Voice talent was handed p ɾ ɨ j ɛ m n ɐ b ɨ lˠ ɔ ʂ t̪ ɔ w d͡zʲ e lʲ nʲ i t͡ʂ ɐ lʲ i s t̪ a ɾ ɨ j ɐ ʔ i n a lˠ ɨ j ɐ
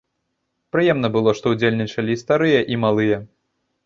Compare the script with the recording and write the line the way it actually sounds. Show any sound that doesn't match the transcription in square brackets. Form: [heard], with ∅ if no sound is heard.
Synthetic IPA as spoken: p ɾ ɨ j ɛ m n ɐ b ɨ lˠ ɔ ʂ t̪ ɔ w d͡zʲ e lʲ nʲ i t͡ʂ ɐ lʲ i s t̪ a ɾ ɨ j ɐ ʔ i [m] a lˠ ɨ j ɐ